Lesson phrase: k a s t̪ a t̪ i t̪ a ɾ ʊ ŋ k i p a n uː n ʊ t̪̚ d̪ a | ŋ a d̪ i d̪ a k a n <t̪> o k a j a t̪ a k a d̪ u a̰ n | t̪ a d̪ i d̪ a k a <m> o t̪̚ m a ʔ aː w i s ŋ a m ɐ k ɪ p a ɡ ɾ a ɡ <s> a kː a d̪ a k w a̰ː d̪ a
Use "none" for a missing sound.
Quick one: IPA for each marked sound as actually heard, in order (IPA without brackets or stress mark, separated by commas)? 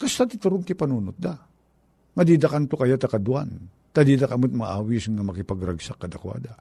t̪, m, s